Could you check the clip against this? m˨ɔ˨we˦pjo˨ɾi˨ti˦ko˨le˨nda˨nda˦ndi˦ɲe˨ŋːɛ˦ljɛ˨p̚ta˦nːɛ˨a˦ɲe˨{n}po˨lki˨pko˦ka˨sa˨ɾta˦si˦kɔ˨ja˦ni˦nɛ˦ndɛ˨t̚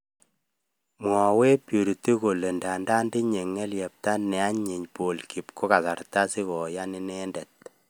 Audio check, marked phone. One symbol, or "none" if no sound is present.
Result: ɲ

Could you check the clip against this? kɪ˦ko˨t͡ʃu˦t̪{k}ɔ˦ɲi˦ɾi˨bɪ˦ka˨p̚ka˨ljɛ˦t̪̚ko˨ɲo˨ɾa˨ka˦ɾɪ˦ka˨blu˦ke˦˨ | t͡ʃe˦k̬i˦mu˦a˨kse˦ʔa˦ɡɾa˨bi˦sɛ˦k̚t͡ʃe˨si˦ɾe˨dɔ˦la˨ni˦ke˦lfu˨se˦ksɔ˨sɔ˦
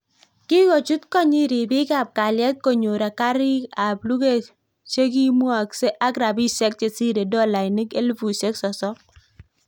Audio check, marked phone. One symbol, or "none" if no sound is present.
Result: k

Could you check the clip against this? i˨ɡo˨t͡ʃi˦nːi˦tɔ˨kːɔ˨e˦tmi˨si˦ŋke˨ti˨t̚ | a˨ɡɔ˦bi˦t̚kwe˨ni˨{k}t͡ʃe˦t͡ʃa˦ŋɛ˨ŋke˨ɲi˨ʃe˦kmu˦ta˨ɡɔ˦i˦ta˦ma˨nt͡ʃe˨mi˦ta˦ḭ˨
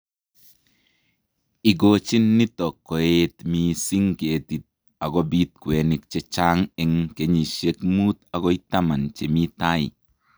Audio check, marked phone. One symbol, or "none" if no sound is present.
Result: k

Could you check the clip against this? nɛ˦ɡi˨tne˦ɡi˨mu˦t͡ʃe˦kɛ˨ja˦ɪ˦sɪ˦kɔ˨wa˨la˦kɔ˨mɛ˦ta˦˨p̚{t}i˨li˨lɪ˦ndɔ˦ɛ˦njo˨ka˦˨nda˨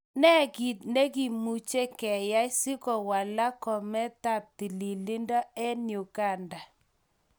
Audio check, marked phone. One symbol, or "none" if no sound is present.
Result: t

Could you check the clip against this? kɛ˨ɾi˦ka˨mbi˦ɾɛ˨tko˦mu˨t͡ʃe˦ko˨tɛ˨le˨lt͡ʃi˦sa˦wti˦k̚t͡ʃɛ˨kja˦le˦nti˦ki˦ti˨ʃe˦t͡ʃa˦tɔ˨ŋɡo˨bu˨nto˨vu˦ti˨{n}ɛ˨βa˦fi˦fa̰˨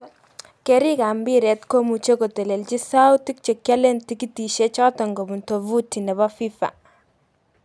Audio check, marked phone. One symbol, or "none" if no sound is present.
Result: n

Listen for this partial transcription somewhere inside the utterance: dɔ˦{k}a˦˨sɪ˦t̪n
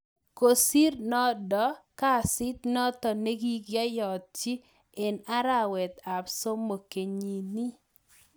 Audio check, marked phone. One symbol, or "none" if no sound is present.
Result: k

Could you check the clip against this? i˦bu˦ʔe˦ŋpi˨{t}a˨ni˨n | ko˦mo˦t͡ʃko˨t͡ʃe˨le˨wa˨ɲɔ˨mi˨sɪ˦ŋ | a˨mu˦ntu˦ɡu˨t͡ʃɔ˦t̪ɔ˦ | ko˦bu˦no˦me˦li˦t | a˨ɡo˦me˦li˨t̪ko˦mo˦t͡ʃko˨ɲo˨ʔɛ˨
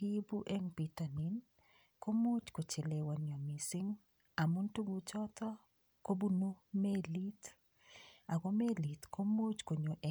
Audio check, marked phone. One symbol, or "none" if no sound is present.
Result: t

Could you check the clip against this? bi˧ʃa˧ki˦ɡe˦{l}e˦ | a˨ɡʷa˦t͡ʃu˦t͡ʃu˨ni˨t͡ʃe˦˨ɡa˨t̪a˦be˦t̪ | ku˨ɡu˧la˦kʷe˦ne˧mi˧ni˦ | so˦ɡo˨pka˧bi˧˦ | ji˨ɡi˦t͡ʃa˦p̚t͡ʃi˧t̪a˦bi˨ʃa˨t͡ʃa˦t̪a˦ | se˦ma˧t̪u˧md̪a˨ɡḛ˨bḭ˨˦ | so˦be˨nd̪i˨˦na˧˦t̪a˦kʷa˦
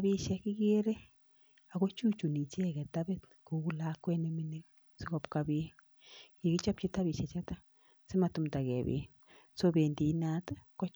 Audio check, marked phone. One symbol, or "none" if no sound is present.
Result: ɾ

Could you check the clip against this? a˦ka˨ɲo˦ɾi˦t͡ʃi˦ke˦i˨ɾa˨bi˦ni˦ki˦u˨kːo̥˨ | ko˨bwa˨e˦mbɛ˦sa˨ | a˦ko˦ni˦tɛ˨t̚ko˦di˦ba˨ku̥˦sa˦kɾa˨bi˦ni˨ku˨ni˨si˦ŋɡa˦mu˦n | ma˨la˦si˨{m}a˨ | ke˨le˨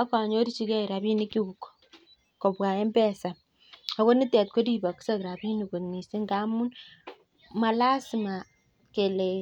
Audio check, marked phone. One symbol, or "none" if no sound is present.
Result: m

